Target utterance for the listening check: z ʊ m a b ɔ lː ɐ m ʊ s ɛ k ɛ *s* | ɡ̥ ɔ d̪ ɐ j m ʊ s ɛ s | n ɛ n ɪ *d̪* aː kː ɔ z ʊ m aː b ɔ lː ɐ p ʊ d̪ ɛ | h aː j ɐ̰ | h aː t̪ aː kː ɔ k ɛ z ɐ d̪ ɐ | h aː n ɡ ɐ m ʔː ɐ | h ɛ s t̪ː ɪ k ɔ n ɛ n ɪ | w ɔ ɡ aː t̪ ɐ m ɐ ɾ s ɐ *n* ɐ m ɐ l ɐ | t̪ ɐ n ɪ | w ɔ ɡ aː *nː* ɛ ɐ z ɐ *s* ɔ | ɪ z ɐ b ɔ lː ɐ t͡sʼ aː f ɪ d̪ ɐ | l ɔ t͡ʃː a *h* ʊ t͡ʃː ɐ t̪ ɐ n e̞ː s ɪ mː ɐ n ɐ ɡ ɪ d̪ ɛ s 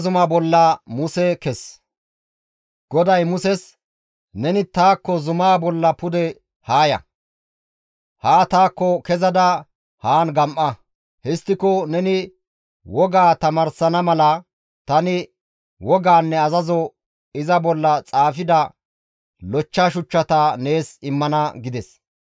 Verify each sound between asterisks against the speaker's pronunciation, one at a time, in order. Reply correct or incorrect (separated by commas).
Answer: correct, incorrect, correct, correct, incorrect, incorrect